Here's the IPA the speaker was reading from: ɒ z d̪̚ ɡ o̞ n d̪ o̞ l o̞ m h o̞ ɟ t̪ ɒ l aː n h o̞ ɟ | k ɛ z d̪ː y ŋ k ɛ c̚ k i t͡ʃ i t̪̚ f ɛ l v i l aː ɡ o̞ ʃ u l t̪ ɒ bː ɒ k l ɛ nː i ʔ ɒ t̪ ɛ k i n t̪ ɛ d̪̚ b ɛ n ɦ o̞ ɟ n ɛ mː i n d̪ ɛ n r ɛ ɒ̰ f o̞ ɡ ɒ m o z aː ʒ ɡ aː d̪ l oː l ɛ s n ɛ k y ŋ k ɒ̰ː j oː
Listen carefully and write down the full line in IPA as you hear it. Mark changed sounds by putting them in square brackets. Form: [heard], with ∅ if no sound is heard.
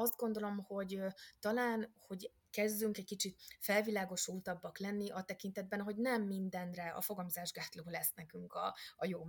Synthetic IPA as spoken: ɒ z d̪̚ ɡ o̞ n d̪ o̞ l o̞ m h o̞ ɟ t̪ ɒ l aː n h o̞ ɟ | k ɛ z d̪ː y ŋ k ɛ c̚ k i t͡ʃ i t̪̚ f ɛ l v i l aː ɡ o̞ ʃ u l t̪ ɒ bː ɒ k l ɛ nː i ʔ ɒ t̪ ɛ k i n t̪ ɛ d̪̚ b ɛ n ɦ o̞ ɟ n ɛ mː i n d̪ ɛ n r ɛ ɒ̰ f o̞ ɡ ɒ m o z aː ʒ ɡ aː [t̪] l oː l ɛ s n ɛ k y ŋ k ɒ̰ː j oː